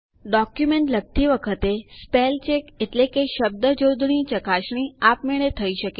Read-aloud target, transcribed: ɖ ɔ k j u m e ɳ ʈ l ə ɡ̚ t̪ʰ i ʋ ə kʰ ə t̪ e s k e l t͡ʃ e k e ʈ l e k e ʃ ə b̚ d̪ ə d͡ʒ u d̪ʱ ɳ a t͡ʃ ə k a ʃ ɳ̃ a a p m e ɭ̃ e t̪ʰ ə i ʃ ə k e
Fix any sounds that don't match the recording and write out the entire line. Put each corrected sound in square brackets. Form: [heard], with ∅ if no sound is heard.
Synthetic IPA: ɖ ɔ k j u m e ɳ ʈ l ə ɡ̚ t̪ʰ i ʋ ə kʰ ə t̪ e s [p] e l t͡ʃ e k e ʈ l e k e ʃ ə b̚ d̪ ə d͡ʒ [o] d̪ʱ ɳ [i] t͡ʃ ə k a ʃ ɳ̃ [i] a p m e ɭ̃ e t̪ʰ ə i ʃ ə k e